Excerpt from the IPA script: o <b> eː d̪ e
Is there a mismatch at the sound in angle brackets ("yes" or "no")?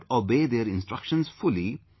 no